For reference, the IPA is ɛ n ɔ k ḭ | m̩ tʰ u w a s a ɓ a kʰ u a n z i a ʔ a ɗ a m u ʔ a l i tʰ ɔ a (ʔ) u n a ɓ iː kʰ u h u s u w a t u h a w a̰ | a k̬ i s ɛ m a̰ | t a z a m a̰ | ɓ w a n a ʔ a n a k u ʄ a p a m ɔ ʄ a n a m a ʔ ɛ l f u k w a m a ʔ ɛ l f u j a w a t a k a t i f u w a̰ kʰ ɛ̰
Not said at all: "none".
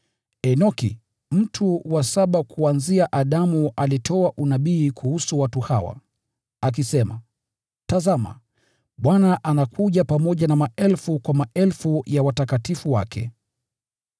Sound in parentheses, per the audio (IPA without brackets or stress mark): ʔ